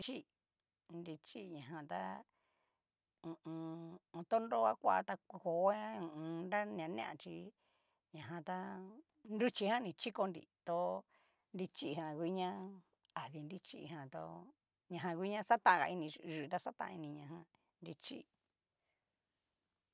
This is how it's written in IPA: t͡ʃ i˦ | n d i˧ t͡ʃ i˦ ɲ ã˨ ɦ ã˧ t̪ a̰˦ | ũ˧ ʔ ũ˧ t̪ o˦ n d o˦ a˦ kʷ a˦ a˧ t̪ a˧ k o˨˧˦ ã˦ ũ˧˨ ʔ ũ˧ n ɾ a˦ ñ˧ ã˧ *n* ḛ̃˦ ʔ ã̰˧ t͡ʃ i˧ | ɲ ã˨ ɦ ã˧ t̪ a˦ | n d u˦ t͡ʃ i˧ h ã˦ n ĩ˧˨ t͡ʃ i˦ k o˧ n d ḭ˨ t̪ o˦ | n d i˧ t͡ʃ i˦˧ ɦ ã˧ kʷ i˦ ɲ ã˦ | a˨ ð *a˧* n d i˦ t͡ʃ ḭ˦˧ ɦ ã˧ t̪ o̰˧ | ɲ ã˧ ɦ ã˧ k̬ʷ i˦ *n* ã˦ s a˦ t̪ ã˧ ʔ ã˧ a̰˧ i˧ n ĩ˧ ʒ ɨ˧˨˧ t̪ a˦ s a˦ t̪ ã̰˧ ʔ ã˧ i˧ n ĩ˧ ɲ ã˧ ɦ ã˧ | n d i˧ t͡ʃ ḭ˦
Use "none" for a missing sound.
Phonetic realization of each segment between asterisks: n, i˧, ɲ

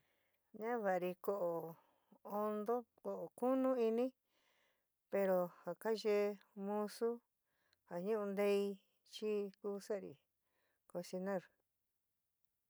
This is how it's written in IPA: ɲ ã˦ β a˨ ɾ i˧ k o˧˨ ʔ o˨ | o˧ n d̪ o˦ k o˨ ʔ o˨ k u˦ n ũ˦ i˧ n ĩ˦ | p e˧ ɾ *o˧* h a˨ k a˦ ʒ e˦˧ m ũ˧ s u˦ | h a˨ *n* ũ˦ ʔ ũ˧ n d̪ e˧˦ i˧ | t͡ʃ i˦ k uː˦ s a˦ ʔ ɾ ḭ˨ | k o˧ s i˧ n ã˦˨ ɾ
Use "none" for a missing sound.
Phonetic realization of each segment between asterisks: o˧, ɲ

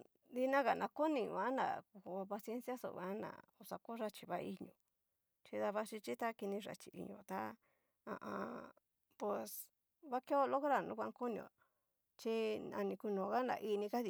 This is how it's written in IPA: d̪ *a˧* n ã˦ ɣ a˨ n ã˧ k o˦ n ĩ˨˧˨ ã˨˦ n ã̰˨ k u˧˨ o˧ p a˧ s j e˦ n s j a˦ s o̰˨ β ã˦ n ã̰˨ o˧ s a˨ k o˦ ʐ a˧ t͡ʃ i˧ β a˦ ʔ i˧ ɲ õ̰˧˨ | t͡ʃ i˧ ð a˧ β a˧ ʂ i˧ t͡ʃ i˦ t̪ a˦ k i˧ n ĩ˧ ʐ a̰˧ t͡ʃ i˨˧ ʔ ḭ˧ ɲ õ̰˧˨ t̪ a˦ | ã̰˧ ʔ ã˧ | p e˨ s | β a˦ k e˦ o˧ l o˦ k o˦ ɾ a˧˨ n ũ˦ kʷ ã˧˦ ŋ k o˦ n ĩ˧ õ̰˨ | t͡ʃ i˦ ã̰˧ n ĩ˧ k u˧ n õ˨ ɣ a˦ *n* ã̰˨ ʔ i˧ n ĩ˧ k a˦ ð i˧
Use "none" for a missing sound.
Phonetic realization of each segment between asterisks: i˧, n

